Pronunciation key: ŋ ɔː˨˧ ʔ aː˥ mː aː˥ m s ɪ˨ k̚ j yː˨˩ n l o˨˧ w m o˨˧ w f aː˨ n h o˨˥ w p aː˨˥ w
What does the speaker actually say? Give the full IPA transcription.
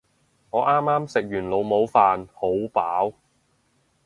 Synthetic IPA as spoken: ŋ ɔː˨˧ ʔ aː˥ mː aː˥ m s ɪ˨ k̚ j yː˨˩ n l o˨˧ w m o˨˧ w f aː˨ n h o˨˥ w p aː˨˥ w

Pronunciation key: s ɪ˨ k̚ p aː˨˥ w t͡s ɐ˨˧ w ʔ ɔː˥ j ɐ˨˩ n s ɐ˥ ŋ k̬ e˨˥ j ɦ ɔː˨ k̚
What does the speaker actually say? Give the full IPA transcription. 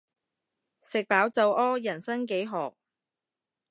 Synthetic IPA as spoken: s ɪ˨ k̚ p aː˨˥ w t͡s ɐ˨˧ w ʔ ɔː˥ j ɐ˨˩ n s ɐ˥ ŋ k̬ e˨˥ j ɦ ɔː˨ k̚

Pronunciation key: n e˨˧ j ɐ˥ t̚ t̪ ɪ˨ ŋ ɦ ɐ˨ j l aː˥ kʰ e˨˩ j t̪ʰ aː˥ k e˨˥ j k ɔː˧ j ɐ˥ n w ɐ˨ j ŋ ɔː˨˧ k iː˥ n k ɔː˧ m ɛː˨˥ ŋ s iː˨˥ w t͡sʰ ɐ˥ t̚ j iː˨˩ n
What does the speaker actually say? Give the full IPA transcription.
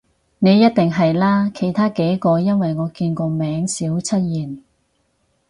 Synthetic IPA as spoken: n e˨˧ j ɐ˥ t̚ t̪ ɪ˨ ŋ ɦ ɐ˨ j l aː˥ kʰ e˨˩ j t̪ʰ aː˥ k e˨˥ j k ɔː˧ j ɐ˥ n w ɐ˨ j ŋ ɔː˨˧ k iː˧ n k ɔː˧ m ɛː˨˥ ŋ s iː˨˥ w t͡sʰ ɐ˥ t̚ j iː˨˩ n

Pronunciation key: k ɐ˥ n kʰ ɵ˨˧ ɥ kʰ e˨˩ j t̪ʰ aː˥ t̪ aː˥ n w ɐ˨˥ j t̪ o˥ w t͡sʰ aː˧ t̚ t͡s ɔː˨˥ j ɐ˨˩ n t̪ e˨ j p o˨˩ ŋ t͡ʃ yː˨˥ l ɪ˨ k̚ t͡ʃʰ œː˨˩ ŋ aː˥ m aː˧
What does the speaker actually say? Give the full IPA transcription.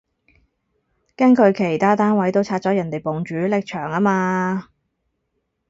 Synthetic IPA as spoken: k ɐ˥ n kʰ ɵ˨˧ ɥ kʰ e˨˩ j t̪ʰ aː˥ t̪ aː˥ n w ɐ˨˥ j t̪ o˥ w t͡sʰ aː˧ t̚ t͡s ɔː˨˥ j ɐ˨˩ n t̪ e˨ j p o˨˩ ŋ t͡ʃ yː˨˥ l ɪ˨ k̚ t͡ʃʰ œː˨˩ ŋ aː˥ m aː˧

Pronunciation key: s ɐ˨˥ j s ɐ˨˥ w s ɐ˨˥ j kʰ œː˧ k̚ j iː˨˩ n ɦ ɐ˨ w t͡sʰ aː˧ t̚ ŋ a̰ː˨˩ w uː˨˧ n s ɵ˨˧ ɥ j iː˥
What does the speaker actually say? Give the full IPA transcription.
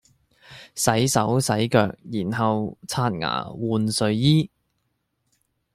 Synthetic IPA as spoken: s ɐ˨˥ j s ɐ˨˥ w s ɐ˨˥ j k œː˧ k̚ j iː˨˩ n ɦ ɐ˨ w t͡sʰ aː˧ t̚ ŋ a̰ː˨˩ w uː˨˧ n s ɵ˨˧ ɥ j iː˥

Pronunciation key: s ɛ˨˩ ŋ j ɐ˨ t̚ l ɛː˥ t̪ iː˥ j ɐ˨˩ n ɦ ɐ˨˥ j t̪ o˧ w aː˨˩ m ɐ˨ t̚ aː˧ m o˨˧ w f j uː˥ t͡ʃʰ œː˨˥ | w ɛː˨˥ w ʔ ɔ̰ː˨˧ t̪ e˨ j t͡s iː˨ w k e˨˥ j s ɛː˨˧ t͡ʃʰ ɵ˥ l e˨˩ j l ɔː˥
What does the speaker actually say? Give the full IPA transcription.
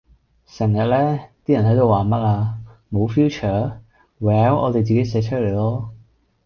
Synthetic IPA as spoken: s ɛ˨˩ ŋ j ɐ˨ t̚ l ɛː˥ t̪ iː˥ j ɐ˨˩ n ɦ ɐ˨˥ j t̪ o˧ w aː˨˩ m ɐ˥ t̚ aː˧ m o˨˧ w f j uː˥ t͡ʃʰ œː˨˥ | w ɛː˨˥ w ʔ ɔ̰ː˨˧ t̪ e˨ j t͡s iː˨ k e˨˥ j s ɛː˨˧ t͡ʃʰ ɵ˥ l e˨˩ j l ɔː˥

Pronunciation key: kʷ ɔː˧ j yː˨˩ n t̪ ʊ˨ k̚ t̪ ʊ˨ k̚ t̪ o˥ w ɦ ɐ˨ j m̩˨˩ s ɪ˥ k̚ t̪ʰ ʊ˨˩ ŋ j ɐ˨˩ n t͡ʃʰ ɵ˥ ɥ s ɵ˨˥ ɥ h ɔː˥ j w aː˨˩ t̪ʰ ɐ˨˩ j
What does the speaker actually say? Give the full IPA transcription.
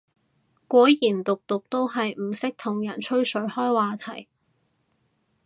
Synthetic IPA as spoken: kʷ ɔː˨˥ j iː˨˩ n t̪ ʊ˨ k̚ t̪ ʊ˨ k̚ t̪ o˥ w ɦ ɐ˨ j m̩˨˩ s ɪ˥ k̚ t̪ʰ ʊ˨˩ ŋ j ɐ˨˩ n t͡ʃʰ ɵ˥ ɥ s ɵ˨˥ ɥ h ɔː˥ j w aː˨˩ t̪ʰ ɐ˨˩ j

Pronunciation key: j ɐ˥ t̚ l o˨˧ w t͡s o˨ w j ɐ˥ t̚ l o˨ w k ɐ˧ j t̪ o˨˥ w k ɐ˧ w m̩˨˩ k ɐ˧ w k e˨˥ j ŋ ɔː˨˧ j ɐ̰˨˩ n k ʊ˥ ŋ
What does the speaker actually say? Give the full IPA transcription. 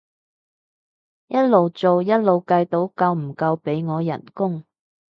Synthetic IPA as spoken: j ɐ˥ t̚ l o˨˧ w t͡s o˨ w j ɐ˥ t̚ l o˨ w k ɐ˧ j t̪ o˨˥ w k ɐ˧ w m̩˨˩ k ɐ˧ w p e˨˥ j ŋ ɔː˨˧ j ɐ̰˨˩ n k ʊ˥ ŋ

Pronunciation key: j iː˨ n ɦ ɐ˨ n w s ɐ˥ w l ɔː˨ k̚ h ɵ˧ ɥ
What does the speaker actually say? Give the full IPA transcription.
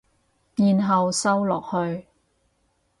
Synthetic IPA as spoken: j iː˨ n ɦ ɐ˨ w s ɐ˥ w l ɔː˨ k̚ h ɵ˧ ɥ

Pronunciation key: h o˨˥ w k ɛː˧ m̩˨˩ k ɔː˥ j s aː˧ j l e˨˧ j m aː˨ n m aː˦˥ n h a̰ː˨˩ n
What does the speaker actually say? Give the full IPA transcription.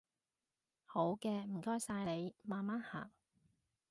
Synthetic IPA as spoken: h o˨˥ w k ɛː˧ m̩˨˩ k ɔː˥ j s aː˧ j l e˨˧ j m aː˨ n m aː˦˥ n h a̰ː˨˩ ŋ

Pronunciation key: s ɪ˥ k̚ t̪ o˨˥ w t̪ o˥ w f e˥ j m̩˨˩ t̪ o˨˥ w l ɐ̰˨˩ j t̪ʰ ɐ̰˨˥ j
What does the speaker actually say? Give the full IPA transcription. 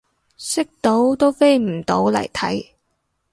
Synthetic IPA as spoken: s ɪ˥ k̚ t̪ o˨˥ w t̪ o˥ w f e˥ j m̩˨˩ t̪ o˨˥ w l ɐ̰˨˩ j t̪ʰ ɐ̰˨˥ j

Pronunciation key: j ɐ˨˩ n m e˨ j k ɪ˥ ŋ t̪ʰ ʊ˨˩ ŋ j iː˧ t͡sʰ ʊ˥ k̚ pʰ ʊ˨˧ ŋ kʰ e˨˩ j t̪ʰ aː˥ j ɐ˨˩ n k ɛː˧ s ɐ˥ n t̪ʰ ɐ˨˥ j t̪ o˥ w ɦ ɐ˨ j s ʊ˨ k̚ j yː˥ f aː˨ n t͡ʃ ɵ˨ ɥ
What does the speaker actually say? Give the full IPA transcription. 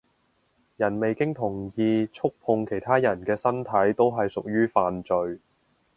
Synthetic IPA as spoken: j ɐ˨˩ n m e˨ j k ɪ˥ ŋ t̪ʰ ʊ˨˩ ŋ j iː˧ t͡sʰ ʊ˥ k̚ pʰ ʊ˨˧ ŋ kʰ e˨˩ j t̪ʰ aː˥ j ɐ˨˩ n k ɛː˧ s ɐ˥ n t̪ʰ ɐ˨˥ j t̪ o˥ w ɦ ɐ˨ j s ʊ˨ k̚ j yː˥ f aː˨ n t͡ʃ ɵ˨ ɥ

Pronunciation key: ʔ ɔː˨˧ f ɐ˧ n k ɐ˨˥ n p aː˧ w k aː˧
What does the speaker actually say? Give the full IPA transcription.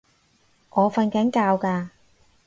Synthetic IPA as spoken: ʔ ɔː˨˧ f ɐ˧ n k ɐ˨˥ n k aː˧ w k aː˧

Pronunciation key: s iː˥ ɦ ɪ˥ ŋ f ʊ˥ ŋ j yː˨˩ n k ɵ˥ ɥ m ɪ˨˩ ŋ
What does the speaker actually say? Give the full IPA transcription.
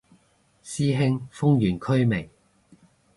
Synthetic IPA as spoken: s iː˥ ɦ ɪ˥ ŋ f ʊ˥ ŋ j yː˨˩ n kʰ ɵ˥ ɥ m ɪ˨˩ ŋ

